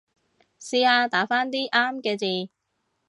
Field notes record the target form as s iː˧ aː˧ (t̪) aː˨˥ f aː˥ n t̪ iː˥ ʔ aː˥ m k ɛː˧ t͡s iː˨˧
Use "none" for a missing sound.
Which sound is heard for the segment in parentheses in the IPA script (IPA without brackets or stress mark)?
t̪